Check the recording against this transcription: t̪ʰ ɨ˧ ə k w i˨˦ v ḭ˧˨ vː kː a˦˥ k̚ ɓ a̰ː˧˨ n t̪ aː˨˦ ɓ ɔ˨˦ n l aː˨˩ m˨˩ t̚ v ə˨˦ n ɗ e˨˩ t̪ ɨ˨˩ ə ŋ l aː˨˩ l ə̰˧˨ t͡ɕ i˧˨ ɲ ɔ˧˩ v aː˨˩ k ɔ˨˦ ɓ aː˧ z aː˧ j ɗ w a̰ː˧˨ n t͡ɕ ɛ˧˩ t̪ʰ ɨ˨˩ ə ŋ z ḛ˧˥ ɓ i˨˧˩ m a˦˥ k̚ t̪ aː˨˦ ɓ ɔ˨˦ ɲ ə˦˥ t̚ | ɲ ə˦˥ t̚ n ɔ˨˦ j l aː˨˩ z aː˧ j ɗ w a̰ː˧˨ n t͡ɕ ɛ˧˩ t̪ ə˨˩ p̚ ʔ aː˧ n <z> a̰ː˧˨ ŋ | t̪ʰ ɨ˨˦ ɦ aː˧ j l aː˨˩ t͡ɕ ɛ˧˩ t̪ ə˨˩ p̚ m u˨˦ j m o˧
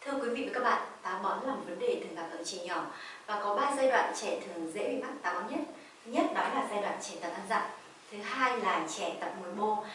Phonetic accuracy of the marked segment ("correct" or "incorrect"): correct